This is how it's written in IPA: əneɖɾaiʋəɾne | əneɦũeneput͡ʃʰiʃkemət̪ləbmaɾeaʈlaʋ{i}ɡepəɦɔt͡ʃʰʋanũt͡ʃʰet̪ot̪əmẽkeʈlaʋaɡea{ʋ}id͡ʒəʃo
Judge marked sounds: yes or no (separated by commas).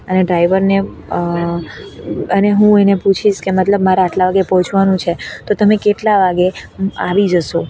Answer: no, yes